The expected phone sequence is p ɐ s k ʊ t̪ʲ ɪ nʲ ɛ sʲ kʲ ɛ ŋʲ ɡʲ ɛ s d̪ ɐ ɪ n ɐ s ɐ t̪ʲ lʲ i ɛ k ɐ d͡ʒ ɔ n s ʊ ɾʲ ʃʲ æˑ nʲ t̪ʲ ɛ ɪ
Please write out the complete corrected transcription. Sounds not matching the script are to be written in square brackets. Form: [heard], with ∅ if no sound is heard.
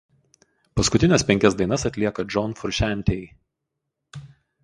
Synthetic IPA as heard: p ɐ s k ʊ t̪ʲ ɪ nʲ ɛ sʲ [pʲ] ɛ ŋʲ [kʲ] ɛ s d̪ ɐ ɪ n ɐ s ɐ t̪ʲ lʲ i ɛ k ɐ d͡ʒ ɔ n [f] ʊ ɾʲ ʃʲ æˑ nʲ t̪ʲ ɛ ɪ